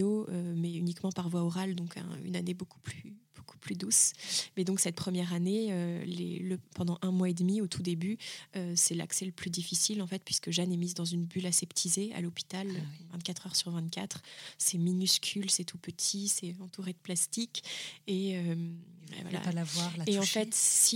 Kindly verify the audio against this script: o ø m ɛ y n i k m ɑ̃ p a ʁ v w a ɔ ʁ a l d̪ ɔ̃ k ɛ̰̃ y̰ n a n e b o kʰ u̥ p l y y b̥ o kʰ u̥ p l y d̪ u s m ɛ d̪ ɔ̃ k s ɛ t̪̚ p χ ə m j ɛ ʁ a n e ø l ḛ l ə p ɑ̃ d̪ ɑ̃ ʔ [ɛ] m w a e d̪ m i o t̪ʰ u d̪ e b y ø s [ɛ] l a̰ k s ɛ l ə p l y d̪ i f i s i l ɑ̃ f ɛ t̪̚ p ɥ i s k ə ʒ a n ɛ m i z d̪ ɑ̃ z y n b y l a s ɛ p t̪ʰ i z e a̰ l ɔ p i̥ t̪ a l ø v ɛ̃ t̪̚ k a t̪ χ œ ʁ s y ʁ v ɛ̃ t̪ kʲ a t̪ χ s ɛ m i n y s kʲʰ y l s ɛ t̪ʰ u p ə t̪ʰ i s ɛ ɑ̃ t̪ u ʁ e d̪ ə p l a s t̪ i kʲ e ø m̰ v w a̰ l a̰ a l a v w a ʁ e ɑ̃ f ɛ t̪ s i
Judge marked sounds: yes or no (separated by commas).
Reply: no, yes